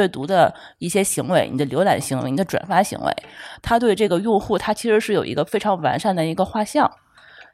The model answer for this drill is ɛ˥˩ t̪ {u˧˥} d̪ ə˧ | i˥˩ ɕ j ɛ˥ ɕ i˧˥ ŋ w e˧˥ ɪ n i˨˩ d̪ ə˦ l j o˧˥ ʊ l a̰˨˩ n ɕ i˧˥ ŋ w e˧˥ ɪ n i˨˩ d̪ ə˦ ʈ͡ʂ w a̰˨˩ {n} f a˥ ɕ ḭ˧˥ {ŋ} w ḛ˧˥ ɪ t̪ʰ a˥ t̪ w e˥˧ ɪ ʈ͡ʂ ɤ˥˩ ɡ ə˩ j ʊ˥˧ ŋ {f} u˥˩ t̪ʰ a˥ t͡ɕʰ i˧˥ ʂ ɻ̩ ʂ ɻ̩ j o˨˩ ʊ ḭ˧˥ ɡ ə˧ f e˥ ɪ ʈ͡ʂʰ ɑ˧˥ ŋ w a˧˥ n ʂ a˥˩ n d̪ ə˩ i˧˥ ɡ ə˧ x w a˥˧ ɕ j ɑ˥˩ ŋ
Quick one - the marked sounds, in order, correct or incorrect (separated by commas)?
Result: correct, correct, correct, incorrect